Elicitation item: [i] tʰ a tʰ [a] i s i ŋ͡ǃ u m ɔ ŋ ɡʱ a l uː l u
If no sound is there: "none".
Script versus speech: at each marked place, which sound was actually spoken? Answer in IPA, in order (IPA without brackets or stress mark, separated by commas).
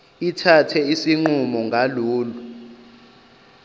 i, ɛ